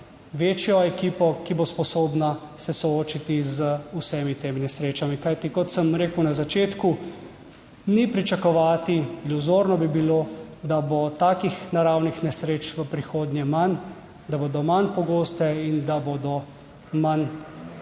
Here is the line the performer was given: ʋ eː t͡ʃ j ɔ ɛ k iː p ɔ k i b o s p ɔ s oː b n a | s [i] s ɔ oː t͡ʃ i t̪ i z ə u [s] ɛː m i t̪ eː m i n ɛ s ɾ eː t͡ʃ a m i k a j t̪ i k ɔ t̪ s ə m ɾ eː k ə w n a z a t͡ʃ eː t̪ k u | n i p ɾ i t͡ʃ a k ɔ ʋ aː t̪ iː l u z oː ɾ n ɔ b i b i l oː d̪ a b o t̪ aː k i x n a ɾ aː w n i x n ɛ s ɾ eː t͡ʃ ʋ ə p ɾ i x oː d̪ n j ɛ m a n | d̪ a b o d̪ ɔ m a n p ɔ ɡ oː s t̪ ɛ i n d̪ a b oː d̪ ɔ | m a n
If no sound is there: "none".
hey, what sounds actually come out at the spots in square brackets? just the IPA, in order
ɛ, s

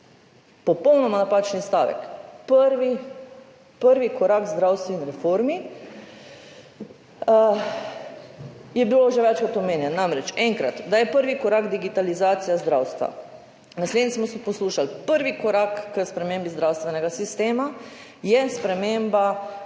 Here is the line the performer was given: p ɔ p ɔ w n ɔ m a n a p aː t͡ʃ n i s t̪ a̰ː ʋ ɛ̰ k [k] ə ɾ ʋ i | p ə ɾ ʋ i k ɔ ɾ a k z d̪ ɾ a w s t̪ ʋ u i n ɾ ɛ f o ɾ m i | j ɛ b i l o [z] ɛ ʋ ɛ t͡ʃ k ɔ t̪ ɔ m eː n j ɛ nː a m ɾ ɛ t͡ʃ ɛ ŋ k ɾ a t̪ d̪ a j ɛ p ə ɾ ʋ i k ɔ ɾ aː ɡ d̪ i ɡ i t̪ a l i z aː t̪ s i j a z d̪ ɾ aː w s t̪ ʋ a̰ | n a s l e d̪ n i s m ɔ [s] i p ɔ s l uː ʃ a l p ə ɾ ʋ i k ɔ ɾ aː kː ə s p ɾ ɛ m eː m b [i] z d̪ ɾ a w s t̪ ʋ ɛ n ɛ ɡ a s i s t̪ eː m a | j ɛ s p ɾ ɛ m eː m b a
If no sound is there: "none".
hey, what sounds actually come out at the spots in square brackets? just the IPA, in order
p, ʒ, s, i

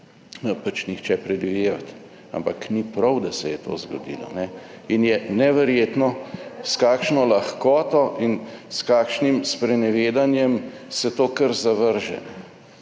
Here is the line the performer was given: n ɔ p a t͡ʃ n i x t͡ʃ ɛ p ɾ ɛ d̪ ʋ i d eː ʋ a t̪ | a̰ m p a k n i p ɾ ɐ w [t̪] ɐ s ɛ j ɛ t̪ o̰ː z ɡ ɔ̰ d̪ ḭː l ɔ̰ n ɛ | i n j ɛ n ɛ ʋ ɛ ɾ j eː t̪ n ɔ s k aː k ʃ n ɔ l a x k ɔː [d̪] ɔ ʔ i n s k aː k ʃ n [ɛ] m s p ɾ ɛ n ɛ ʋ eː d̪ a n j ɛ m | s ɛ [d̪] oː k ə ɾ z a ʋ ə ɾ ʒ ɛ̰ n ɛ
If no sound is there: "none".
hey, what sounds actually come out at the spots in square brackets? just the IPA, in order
d̪, t̪, i, t̪

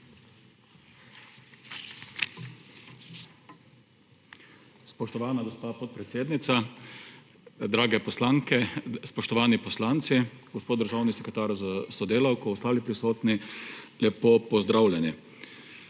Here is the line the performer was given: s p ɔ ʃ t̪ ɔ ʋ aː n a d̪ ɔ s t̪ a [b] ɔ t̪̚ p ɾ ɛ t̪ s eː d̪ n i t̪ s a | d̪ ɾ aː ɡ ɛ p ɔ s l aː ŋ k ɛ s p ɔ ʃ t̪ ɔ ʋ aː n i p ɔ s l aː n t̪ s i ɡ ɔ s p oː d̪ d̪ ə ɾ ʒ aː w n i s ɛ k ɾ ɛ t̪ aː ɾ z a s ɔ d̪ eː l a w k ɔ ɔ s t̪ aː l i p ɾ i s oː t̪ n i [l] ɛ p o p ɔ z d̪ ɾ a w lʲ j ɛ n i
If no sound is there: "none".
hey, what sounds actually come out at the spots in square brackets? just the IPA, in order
p, l

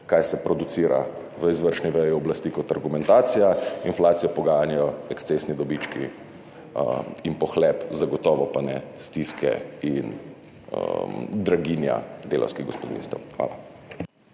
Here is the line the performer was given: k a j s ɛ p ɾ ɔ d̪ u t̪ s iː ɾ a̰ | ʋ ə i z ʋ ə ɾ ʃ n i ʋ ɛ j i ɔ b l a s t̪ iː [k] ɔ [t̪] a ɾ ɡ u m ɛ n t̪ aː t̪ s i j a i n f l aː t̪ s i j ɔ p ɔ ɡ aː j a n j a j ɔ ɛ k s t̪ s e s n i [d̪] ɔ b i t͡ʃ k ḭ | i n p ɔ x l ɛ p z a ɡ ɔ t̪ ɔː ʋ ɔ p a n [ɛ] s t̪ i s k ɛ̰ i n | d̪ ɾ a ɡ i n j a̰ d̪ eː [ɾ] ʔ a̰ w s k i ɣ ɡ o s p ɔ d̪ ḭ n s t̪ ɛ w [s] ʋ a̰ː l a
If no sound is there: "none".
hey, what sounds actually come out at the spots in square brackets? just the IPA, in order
k, t̪, d̪, ɛ, l, x

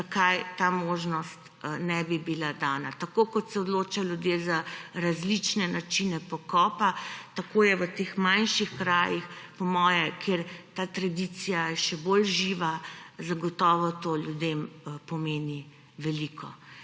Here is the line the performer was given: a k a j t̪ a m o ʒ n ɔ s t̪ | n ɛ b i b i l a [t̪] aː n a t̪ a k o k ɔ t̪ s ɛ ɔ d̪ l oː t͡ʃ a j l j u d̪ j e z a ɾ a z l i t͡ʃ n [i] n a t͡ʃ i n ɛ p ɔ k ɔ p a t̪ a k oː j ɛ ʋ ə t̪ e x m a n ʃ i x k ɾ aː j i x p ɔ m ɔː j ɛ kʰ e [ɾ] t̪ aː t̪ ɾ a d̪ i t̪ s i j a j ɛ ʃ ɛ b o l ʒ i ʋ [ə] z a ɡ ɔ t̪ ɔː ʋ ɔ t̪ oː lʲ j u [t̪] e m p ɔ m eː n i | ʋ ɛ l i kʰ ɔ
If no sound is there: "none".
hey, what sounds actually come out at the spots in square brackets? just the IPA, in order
d̪, ɛ, ɾ, a, d̪

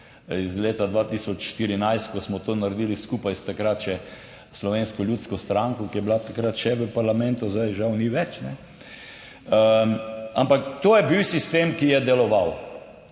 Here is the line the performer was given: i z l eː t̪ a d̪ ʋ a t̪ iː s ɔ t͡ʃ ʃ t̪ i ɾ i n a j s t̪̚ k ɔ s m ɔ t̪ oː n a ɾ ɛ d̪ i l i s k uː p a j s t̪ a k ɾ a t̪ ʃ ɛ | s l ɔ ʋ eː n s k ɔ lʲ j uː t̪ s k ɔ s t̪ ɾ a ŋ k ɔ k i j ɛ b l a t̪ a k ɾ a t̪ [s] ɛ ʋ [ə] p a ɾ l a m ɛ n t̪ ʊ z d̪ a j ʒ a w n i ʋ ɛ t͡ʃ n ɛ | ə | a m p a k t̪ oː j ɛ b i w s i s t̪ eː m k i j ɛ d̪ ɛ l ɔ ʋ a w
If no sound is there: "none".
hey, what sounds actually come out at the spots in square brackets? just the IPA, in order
ʃ, ə

